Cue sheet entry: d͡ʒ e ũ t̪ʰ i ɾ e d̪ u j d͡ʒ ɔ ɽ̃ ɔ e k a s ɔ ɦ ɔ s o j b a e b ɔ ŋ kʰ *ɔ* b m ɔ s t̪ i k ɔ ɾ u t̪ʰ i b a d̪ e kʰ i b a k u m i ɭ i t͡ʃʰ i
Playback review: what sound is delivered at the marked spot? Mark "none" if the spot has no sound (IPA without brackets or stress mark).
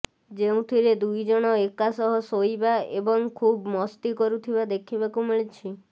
u